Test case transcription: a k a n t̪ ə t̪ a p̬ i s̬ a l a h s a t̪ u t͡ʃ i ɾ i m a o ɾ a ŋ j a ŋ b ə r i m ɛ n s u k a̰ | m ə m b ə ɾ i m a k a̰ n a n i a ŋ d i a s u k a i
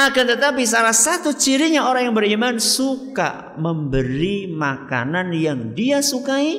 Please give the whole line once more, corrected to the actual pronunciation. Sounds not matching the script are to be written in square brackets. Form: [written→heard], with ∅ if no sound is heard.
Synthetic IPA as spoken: a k a n t̪ ə t̪ a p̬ i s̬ a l a h s a t̪ u t͡ʃ i ɾ i [m→ɲ] a o ɾ a ŋ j a ŋ b ə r i m [ɛ→a] n s u k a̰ | m ə m b ə ɾ i m a k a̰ n a n [i→j] a ŋ d i a s u k a i